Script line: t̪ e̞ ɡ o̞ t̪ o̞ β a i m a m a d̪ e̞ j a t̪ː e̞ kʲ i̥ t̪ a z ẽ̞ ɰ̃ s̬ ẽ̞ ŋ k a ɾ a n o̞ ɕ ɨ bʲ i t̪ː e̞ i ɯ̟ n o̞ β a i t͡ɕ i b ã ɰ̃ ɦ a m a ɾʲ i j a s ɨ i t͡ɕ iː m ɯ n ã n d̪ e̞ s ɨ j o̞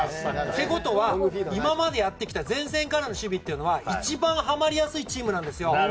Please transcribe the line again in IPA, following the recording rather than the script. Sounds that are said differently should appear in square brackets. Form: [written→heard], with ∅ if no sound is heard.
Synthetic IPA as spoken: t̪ e̞ ɡ o̞ t̪ o̞ β a i m a m a d̪ e̞ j a t̪ː e̞ kʲ i̥ t̪ a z ẽ̞ ɰ̃ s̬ ẽ̞ ŋ k a ɾ a n o̞ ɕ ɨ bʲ i t̪ː e̞ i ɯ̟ n o̞ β a i t͡ɕ i b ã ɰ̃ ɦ a m a ɾʲ i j a s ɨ i t͡ɕ iː m ɯ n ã n d̪ e̞ s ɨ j o̞